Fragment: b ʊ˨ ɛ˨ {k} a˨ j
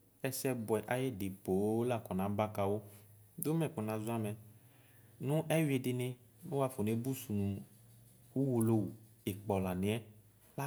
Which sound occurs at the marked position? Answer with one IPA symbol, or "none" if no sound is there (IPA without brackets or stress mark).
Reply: ʔ